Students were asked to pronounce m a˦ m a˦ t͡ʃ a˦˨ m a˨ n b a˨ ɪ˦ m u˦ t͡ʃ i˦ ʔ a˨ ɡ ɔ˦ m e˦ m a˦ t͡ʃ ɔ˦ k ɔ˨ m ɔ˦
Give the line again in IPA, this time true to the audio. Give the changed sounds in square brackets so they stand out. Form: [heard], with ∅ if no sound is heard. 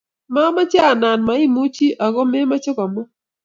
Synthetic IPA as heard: m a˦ m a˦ t͡ʃ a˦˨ [n] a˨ n [m] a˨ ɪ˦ m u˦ t͡ʃ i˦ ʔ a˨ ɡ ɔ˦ m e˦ m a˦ t͡ʃ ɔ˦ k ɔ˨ m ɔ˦